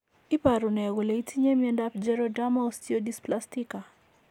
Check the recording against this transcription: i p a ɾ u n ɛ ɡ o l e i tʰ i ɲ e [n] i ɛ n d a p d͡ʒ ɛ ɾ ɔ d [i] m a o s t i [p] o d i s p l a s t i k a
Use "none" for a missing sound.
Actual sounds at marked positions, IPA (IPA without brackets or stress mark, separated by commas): m, a, none